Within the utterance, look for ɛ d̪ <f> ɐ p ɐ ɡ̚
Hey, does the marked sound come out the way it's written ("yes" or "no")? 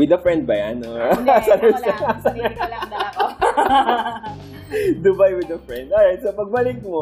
no